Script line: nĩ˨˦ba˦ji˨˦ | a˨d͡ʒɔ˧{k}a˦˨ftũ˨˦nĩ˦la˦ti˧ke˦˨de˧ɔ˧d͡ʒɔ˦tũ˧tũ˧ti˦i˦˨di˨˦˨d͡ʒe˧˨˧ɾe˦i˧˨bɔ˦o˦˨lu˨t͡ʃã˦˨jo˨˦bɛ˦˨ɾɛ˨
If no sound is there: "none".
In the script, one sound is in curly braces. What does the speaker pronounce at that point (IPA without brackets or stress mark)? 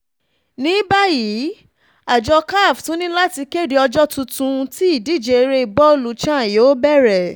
k